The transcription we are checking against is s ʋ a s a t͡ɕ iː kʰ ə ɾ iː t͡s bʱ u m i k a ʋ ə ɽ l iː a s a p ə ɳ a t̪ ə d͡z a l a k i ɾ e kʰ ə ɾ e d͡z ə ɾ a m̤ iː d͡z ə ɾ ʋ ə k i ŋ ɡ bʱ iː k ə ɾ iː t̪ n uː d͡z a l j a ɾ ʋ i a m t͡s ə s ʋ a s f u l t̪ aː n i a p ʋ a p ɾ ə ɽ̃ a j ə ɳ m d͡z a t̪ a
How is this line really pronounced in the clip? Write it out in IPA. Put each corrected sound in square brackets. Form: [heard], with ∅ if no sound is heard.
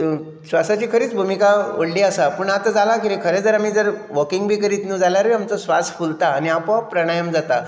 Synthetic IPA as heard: s ʋ a s a t͡ɕ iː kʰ ə ɾ iː t͡s bʱ u m i k a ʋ ə ɽ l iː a s a p ə ɳ a t̪ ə d͡z a l a k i ɾ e kʰ ə ɾ e d͡z ə ɾ a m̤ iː d͡z ə ɾ ʋ ə k i ŋ ɡ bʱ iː k ə ɾ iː t̪ n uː d͡z a l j a ɾ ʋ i a m t͡s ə s ʋ a s f u l t̪ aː n i a p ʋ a p ɾ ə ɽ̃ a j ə [∅] m d͡z a t̪ a

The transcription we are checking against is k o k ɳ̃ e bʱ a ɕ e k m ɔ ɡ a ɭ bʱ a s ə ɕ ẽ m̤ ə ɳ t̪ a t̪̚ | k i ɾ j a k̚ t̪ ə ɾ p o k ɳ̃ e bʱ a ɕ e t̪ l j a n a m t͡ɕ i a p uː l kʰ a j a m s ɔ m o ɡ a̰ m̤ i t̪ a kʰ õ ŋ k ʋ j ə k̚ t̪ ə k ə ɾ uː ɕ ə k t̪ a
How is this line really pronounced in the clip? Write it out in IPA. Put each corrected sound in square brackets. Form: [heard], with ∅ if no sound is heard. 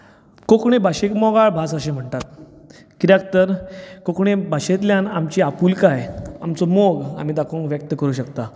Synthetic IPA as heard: k o k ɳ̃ e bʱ a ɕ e k m ɔ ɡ a ɭ bʱ a s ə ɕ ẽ m̤ ə ɳ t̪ a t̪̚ | k i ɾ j a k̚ t̪ ə ɾ [k] o k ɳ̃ e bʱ a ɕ e t̪ l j a n a m t͡ɕ i a p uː l [k] a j a m [t͡s] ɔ m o ɡ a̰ m̤ i [d̪] a kʰ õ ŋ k ʋ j ə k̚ t̪ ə k ə ɾ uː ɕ ə k t̪ a

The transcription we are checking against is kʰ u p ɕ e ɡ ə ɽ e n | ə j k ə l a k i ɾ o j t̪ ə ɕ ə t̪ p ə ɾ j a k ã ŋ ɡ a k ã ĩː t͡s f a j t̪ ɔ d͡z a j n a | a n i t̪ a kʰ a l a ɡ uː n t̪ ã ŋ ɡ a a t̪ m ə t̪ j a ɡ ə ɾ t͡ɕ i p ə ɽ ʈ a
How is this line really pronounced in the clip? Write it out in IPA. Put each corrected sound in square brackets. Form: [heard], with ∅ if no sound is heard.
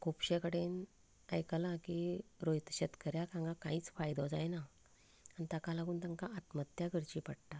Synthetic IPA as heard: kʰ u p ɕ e [k] ə ɽ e n | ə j k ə l a k i ɾ o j t̪ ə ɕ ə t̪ [k] ə ɾ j a k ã ŋ ɡ a k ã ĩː t͡s f a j [d̪] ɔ d͡z a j n a | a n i t̪ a [k] a l a ɡ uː n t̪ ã ŋ [k] a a t̪ m ə t̪ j a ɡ ə ɾ t͡ɕ i p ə ɽ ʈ a

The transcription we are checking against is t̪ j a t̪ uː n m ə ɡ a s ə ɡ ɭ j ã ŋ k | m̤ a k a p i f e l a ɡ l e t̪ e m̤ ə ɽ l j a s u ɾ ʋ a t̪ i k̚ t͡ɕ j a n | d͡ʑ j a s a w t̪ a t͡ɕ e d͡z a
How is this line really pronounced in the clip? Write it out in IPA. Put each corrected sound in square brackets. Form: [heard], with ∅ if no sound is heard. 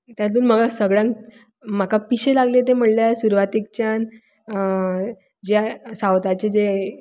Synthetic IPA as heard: t̪ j a t̪ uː n m ə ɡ a s ə ɡ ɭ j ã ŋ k | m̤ a k a p i [ɕ] e l a ɡ l e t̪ e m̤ ə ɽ l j a s u ɾ ʋ a t̪ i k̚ t͡ɕ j a n | d͡ʑ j a s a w t̪ a t͡ɕ e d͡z [e]

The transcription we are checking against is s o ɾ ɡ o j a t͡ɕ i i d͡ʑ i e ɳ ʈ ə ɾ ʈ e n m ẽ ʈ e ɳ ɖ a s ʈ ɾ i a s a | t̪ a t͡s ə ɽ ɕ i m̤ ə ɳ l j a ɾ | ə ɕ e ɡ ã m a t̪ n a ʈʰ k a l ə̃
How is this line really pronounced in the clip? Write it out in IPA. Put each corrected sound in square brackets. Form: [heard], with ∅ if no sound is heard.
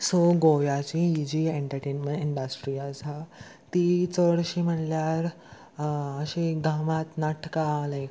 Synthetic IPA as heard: s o [∅] ɡ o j a t͡ɕ i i d͡ʑ i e ɳ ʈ ə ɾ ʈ e n m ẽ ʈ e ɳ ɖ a s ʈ ɾ i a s a | t̪ [i] t͡s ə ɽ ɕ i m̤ ə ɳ l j a ɾ | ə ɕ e ɡ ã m a t̪ n a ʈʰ k a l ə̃

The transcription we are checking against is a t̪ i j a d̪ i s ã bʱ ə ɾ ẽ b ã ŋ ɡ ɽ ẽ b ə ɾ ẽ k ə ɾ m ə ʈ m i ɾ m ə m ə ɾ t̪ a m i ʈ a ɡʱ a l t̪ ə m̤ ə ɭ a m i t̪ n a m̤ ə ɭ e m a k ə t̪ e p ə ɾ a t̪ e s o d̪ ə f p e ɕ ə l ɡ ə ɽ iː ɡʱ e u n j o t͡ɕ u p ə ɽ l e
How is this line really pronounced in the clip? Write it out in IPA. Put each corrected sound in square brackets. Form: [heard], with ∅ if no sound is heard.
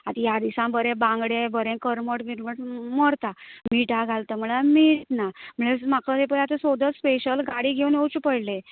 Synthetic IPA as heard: a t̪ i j a d̪ i s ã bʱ ə ɾ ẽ b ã ŋ ɡ ɽ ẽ b ə ɾ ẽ k ə ɾ m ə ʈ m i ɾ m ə m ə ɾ t̪ a m i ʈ a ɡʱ a l t̪ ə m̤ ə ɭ a m i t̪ n a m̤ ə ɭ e m a k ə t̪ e p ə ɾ a t̪ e s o d̪ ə [s] p e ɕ ə l ɡ [a] ɽ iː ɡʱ e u n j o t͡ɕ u p ə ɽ l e

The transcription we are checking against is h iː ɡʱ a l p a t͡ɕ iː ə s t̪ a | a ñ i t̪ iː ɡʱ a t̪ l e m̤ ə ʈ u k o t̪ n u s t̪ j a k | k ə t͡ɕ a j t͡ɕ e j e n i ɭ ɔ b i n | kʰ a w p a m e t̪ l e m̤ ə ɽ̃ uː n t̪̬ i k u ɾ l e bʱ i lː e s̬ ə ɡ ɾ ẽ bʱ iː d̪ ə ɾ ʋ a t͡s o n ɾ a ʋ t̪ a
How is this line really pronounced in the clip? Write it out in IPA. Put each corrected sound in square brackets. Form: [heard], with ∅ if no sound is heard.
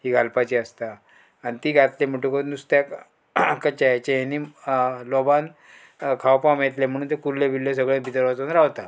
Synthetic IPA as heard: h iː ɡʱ a l p a t͡ɕ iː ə s t̪ a | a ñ i t̪ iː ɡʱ a t̪ l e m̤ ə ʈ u k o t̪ n u s t̪ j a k | k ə t͡ɕ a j t͡ɕ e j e n i [l] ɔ b [a] n | kʰ a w p a m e t̪ l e m̤ ə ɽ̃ uː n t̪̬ [e] k u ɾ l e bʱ i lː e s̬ ə ɡ [ɭ] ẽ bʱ [i] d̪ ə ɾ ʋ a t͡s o n ɾ a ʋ t̪ a

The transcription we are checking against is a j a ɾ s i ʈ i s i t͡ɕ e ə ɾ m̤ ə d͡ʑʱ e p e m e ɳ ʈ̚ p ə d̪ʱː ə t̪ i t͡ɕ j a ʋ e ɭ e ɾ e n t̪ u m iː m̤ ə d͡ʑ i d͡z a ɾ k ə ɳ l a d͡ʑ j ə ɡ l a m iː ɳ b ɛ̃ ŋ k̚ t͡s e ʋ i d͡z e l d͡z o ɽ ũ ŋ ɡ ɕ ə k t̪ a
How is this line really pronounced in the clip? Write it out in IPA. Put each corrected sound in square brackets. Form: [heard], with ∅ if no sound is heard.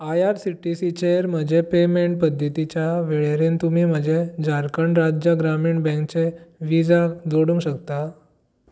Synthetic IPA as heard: a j a ɾ s i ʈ i s i t͡ɕ e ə ɾ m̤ ə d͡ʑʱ e p e m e ɳ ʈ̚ p ə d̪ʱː ə t̪ i t͡ɕ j a ʋ e ɭ e ɾ e n t̪ u m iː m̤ ə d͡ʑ [e] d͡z a ɾ k ə ɳ [ɾ] a d͡ʑ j ə ɡ [ɾ] a m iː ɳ b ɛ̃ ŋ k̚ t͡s e ʋ i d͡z [a] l d͡z o ɽ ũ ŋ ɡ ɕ ə k t̪ a

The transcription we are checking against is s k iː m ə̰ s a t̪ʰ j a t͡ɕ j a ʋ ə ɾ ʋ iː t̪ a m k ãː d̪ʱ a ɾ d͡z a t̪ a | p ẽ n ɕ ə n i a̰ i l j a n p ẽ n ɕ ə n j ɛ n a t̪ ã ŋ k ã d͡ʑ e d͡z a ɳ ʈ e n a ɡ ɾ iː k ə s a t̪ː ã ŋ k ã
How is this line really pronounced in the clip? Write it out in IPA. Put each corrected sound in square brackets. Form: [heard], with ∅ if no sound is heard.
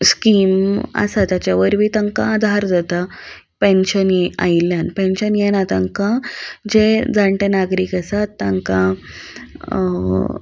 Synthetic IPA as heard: s k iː m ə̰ s a [t̪] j a t͡ɕ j a ʋ ə ɾ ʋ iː t̪ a [ŋ] k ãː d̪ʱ a ɾ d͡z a t̪ a | p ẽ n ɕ ə n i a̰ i l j a n p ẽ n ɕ ə n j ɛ n a t̪ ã ŋ k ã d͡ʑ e d͡z a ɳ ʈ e n a ɡ ɾ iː k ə s a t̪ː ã ŋ k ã

